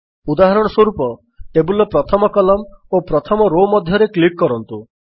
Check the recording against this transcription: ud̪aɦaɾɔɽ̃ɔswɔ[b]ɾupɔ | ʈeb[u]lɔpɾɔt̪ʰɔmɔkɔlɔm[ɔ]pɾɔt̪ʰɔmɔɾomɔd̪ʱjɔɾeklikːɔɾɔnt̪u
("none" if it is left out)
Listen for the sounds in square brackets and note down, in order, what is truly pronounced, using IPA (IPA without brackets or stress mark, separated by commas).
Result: none, u, o